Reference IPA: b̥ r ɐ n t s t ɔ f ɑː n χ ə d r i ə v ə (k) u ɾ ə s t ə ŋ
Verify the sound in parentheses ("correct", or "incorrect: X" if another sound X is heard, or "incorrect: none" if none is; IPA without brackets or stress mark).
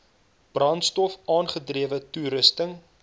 incorrect: t